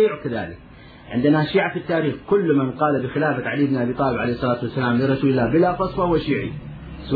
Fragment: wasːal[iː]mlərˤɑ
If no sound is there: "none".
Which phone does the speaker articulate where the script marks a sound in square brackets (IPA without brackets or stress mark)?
aː